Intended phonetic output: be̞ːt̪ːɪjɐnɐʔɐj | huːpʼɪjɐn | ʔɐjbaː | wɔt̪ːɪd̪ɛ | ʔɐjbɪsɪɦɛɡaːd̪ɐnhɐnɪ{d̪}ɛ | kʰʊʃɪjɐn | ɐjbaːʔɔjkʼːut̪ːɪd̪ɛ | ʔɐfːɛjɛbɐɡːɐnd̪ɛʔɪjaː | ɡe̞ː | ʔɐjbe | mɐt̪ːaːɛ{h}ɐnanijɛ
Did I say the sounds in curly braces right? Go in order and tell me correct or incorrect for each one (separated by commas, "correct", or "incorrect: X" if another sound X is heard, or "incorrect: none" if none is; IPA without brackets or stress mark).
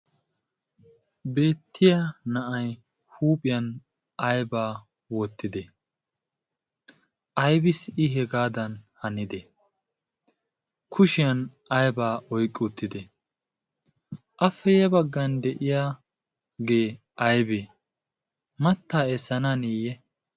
correct, incorrect: s